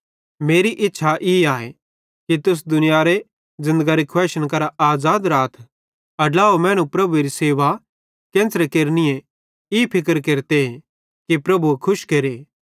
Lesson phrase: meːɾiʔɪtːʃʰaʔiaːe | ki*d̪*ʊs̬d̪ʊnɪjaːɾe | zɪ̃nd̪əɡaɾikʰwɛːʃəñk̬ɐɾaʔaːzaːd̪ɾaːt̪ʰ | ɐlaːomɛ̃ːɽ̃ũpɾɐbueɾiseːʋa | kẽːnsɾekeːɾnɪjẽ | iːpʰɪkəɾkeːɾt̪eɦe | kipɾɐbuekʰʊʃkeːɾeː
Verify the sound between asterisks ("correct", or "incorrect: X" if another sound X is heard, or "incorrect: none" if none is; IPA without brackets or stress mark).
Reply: incorrect: t̪